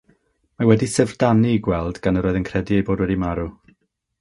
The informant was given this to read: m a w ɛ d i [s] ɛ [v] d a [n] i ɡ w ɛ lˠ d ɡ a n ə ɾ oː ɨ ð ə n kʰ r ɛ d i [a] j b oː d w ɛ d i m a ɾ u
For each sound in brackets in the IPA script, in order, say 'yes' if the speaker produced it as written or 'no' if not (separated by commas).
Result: yes, yes, yes, no